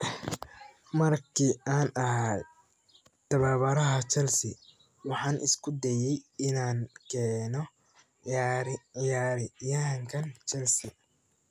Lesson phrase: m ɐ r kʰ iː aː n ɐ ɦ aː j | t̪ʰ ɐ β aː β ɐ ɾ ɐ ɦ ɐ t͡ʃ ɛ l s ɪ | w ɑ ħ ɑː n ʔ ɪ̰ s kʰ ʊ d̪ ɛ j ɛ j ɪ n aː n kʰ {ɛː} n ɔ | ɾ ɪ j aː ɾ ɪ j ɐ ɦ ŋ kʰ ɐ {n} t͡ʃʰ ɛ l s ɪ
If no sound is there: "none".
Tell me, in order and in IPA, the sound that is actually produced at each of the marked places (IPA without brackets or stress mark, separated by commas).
ɛː, n